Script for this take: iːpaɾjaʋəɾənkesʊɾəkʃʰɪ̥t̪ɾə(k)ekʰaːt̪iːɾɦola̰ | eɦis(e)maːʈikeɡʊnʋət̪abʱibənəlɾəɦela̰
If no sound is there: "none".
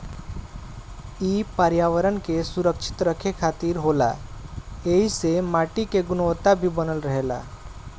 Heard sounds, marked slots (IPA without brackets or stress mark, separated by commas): kʰ, e